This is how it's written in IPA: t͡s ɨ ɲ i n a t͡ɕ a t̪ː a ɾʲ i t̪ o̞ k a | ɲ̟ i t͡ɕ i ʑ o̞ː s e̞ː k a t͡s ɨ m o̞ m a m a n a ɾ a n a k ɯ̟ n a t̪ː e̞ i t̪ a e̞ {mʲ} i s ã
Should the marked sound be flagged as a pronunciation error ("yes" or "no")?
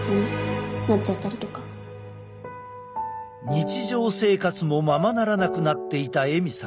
no